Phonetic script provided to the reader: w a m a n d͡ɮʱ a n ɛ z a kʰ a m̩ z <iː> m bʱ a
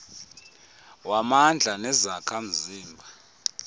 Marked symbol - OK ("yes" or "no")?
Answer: yes